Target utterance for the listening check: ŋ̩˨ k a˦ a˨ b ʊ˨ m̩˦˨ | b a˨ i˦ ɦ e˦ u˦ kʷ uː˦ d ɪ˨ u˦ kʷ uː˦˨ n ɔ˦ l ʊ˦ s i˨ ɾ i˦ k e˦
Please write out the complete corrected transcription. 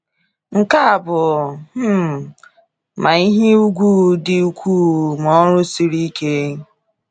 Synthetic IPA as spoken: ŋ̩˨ k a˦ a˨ b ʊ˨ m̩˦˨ | m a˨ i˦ ɦ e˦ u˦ ɡʷ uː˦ d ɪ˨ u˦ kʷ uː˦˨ m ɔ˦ ɾ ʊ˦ s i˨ ɾ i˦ k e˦

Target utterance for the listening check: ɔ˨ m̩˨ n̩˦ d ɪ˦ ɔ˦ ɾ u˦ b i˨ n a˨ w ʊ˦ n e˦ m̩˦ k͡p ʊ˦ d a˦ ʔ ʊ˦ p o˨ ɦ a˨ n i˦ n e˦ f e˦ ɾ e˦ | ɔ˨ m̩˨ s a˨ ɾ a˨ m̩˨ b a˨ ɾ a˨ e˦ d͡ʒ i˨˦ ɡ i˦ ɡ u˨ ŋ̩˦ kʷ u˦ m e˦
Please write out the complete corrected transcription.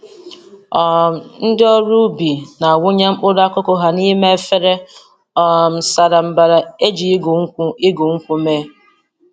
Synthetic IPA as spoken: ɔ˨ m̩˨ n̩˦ d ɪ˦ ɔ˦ ɾ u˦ b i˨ n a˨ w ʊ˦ ɲ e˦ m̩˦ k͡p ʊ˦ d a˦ k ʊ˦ k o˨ ɦ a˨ n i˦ m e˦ f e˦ ɾ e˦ | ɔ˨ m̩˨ s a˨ ɾ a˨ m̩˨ b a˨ ɾ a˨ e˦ d͡ʒ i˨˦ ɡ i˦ ɡ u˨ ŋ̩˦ kʷ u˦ m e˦

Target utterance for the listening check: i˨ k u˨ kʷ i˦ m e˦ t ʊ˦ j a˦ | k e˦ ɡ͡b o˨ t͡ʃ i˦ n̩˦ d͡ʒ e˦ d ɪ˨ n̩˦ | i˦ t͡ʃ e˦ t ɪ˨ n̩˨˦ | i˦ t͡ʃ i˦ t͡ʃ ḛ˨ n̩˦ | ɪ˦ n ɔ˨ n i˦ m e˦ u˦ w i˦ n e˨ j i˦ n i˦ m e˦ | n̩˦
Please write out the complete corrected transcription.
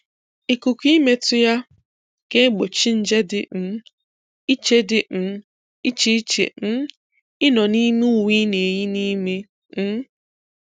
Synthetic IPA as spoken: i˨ k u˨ kʷ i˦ m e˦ t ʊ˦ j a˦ | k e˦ ɡ͡b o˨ t͡ʃ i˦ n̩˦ d͡ʒ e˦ d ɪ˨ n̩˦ | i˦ t͡ʃ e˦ d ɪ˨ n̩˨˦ | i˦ t͡ʃ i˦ t͡ʃ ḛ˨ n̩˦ | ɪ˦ n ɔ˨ n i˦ m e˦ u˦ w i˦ n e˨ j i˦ n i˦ m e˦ | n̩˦

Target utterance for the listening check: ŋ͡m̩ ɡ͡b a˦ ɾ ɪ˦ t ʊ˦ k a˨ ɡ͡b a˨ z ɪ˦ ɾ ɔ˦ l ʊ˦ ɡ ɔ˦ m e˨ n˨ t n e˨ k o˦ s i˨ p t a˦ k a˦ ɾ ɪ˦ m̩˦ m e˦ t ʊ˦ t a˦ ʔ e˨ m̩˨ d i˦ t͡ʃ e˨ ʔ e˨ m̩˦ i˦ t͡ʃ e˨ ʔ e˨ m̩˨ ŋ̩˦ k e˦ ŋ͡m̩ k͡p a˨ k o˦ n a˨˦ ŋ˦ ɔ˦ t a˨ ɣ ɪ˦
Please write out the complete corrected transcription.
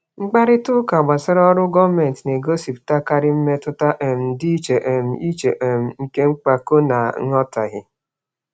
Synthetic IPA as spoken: ŋ͡m̩ ɡ͡b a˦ ɾ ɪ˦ t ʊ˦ k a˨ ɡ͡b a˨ s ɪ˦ ɾ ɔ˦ ɾ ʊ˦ ɡ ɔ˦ m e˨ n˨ t n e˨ ɡ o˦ s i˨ p t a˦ k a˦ ɾ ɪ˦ m̩˦ m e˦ t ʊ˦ t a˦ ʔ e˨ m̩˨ d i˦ t͡ʃ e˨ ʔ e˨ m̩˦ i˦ t͡ʃ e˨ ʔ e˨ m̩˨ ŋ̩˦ k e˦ ŋ͡m̩ k͡p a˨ k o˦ n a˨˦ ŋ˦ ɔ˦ t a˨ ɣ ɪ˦

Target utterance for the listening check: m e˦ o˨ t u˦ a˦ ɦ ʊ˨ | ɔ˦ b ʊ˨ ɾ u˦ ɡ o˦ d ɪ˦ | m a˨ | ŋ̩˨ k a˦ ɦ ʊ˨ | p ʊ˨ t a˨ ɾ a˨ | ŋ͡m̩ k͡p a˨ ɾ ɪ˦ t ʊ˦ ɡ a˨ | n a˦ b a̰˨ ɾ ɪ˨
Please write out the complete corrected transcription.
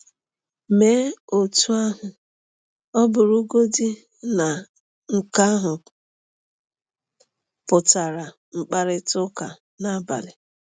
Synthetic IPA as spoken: m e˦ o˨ t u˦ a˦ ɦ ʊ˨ | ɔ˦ b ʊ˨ ɾ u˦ ɡ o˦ d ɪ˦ | n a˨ | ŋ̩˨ k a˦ ɦ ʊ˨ | p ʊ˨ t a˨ ɾ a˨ | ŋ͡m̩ k͡p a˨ ɾ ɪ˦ t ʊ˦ k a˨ | n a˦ b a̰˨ l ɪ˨

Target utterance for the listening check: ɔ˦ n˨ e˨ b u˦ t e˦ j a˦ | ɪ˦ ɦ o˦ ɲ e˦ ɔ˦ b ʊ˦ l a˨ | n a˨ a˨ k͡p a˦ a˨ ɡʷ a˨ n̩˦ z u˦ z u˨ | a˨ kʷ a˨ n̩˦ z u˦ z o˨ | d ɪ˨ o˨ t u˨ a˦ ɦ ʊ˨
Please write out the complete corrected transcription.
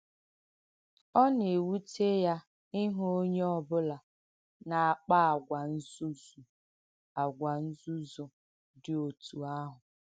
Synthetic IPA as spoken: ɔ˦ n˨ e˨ w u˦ t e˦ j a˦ | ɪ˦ ɦ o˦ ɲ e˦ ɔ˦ b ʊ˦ l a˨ | n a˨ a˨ k͡p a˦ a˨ ɡʷ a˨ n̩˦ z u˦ z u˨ | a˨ ɡʷ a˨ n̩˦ z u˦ z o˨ | d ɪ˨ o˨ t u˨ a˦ ɦ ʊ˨

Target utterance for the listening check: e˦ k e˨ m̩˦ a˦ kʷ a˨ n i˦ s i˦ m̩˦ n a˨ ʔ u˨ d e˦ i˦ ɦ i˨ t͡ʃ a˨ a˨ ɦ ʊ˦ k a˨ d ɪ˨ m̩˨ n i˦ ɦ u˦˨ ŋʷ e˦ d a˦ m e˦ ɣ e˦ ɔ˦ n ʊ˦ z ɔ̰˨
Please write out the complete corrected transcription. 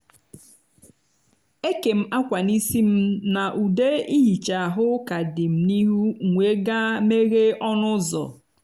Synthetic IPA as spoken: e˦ k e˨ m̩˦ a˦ kʷ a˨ n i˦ s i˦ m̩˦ n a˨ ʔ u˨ d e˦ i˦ ɦ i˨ t͡ʃ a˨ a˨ ɦ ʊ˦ k a˨ d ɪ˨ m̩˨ n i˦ ɦ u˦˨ ŋʷ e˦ ɡ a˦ m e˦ ɣ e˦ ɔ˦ n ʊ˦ z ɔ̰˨

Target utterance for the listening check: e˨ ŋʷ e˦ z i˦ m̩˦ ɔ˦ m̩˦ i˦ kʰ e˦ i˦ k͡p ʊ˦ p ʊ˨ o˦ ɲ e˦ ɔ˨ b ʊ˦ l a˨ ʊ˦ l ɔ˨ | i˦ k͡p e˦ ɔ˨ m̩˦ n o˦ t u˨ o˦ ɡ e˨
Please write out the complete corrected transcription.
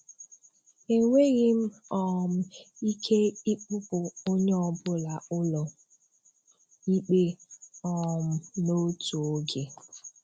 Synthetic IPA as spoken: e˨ ŋʷ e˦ ɣ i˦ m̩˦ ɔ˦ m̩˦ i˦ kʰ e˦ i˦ k͡p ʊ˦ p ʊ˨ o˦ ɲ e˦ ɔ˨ b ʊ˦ l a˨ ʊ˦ l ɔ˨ | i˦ k͡p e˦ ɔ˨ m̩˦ n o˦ t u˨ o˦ ɡ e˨

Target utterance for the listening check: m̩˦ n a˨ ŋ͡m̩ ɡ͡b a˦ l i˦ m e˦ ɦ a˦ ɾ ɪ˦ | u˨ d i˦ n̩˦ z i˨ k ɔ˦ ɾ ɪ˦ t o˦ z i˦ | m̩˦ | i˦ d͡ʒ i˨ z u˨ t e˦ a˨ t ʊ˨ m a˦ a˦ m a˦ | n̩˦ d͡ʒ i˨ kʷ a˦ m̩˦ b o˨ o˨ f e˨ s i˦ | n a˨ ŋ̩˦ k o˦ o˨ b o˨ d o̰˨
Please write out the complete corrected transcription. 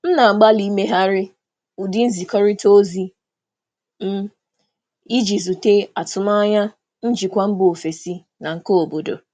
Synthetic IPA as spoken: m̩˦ n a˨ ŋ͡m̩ ɡ͡b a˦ l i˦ m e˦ ɦ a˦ ɾ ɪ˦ | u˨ d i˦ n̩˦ z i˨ k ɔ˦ ɾ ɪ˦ t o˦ z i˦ | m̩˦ | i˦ d͡ʒ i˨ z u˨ t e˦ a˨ t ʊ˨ m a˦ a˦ ɲ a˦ | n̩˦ d͡ʒ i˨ kʷ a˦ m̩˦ b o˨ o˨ f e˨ s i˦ | n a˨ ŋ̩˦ k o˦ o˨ b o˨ d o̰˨

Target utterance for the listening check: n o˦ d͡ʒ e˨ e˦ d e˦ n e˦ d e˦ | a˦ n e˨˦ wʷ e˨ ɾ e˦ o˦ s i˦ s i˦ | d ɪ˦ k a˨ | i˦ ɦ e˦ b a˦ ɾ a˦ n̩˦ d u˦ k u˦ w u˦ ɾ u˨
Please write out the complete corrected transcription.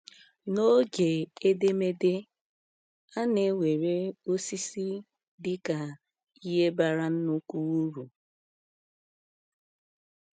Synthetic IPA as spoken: n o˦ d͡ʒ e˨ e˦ d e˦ m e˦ d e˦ | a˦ n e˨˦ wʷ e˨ ɾ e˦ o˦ s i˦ s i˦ | d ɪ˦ k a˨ | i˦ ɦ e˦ b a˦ ɾ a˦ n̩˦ n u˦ k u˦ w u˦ ɾ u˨

